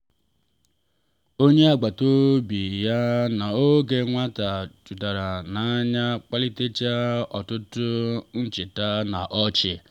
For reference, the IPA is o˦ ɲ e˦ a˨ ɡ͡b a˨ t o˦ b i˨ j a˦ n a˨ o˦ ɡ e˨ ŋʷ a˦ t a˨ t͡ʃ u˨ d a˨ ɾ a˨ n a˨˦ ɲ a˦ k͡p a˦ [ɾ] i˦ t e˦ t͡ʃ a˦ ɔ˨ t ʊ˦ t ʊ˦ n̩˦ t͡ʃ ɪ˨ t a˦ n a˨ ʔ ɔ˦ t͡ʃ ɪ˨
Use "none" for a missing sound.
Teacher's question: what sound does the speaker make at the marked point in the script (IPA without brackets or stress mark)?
l